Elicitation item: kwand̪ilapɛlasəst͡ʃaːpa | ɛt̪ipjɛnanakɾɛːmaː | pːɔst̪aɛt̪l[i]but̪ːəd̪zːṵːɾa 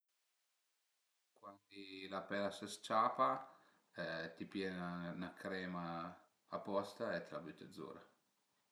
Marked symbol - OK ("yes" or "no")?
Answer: no